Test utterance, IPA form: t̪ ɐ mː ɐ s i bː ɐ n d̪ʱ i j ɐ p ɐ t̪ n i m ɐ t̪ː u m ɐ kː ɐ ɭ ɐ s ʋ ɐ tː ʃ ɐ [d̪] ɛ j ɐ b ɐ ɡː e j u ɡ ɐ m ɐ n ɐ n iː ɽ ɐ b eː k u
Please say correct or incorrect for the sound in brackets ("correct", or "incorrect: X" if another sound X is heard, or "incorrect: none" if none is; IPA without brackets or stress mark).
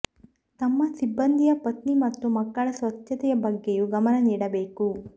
incorrect: t̪